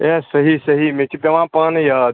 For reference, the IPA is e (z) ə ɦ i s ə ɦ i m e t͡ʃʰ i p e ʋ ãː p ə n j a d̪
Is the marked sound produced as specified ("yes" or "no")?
no